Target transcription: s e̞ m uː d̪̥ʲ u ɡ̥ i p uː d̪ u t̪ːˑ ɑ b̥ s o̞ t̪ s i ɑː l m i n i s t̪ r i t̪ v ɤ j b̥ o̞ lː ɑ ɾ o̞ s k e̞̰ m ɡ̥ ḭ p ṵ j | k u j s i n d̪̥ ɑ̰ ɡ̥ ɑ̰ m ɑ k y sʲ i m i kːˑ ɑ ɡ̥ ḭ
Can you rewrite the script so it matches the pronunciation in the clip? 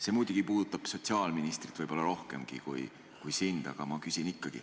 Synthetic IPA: s e̞ m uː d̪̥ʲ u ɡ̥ i p uː d̪ u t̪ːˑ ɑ b̥ s o̞ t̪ s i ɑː l m i n i s t̪ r i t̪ v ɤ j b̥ o̞ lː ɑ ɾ o̞ h k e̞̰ m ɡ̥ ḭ k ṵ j | k u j s i n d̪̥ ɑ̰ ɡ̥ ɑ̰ m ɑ k y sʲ i n i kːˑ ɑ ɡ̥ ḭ

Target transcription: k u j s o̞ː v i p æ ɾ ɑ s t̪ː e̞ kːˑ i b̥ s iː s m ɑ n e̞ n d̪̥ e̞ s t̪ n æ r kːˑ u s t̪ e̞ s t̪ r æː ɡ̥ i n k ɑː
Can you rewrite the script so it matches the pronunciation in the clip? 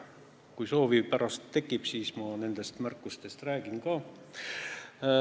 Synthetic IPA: k u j s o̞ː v i p æ ɾ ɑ s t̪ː e̞ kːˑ i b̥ s iː s m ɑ n e̞ n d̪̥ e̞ s t̪ m æ r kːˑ u s t̪ e̞ s t̪ r æː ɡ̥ i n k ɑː

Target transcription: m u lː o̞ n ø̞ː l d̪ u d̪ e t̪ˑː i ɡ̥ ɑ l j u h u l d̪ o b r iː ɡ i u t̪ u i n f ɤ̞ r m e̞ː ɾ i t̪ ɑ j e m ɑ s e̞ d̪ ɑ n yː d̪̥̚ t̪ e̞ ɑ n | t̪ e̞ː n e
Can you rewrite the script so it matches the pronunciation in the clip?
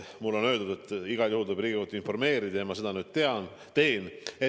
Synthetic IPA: m u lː o̞ n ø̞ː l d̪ u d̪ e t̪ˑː i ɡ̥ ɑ l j u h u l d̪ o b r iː ɡ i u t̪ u i n f o̞ r m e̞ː ɾ i d̪ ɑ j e m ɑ s e̞ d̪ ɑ n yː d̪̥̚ t̪ e̞ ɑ n | t̪ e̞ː n e

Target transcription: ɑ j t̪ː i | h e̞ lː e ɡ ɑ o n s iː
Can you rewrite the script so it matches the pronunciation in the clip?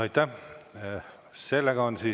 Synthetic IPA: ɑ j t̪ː æ | s e̞ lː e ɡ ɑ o n s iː

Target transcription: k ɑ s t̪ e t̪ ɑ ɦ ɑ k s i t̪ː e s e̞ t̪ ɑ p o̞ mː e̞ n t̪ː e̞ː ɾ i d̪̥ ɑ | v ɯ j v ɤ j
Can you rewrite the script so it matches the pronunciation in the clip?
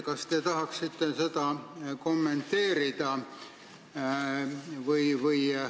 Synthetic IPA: k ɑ s t̪ e t̪ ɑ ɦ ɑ k s i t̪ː e s e̞ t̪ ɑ k o̞ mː e̞ n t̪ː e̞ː ɾ i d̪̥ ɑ | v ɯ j v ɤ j

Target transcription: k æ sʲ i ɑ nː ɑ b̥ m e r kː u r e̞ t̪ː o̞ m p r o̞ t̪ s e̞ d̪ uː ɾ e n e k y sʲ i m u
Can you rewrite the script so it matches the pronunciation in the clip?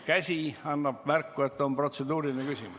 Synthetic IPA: k æ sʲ i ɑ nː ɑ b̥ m æ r kː u e̞ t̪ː o̞ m p r o̞ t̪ s e̞ d̪ uː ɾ i n e k y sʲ i m u

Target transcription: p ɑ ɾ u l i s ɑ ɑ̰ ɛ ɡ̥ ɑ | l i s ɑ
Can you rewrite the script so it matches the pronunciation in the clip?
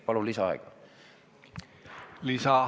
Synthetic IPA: p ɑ l u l i s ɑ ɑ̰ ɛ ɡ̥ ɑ | l i s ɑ

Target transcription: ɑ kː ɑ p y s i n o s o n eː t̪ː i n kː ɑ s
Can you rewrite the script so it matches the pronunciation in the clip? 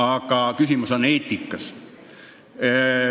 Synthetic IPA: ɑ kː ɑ k y s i m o s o n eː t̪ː i kː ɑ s

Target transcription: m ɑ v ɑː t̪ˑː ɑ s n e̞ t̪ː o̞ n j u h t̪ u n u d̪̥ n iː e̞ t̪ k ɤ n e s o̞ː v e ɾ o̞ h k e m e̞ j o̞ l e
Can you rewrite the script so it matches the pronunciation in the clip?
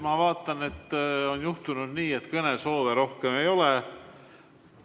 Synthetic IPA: m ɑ v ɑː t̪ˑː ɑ n e̞ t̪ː o̞ n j u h t̪ u n u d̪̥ n iː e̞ t̪ k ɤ n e s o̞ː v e ɾ o̞ h k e m e̞ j o̞ l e

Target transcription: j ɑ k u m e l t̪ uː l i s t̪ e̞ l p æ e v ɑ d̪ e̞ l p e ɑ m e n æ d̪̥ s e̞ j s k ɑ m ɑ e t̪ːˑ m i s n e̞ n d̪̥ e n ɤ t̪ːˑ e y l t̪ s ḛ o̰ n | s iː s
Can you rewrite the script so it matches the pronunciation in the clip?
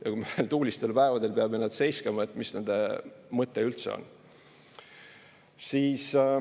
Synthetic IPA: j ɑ k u m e l t̪ uː l i s t̪ e̞ l p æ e v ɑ d̪ e̞ l p e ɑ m e n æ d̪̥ s e̞ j s k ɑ m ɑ e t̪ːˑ m i s n e̞ n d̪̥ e m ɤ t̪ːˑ e y l t̪ s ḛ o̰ n | s iː s

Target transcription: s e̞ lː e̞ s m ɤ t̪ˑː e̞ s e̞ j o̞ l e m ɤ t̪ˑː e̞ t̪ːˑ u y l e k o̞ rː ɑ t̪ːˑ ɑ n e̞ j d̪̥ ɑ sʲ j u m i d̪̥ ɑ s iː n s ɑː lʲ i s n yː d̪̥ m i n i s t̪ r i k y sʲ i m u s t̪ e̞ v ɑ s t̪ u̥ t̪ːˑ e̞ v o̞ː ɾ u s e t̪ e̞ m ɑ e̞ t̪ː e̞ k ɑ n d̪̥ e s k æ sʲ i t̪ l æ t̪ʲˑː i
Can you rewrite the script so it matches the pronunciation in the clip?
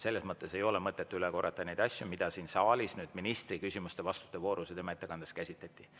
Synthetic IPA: s e̞ lː e̞ s m ɤ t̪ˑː e̞ s e̞ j o̞ l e m ɤ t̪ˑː e̞ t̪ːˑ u y l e k o̞ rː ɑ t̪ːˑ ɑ n e̞ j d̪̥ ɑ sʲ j u m i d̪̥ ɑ s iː n s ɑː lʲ i s n yː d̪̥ m i n i s t̪ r i k y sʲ i m u s t̪ e̞ v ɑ s t̪ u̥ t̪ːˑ e̞ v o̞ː ɾ u s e t̪ e̞ m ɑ e̞ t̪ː e̞ k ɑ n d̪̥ e s k æ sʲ i t̪ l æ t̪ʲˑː i

